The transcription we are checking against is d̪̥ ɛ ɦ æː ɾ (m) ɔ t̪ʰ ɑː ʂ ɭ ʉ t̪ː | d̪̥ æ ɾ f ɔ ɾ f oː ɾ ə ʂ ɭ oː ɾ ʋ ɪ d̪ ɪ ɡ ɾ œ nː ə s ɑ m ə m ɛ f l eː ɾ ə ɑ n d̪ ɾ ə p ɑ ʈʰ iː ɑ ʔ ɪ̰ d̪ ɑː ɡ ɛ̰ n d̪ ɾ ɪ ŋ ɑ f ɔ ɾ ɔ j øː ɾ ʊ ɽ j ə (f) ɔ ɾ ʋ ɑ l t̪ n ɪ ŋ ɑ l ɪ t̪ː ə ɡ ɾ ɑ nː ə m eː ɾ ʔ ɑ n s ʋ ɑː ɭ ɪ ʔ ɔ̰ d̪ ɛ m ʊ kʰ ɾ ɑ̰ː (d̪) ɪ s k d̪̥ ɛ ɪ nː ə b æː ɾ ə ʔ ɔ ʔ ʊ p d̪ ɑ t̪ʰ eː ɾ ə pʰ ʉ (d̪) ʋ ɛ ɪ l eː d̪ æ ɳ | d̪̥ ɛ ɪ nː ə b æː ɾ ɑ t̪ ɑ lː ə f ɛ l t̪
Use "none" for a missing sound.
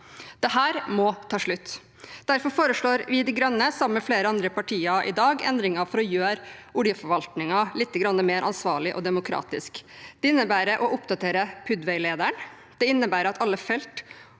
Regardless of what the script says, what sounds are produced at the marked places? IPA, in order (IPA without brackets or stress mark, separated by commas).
m, f, t̪, d̪